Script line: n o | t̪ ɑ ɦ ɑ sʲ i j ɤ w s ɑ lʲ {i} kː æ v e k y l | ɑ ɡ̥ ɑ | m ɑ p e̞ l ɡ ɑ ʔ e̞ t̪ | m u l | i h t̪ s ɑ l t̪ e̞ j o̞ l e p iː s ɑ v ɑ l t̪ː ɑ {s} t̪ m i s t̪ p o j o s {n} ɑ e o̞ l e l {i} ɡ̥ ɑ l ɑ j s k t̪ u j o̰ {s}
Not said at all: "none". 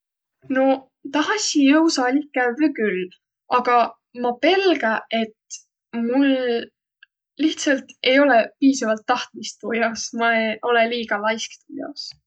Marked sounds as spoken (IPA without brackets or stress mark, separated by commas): i, h, m, iː, s